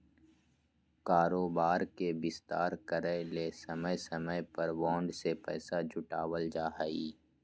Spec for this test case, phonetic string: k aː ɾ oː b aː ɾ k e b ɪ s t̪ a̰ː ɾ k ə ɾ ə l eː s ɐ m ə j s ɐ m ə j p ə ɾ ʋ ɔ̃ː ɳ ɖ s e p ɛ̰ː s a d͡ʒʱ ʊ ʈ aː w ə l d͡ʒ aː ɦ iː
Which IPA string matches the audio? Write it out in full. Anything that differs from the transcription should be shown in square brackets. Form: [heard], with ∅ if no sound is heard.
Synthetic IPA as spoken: k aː ɾ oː b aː ɾ k e b ɪ s t̪ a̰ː ɾ k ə ɾ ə l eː s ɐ m ə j s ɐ m ə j p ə ɾ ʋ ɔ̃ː ɳ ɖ s e p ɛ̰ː s a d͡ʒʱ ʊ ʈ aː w ə l d͡ʒ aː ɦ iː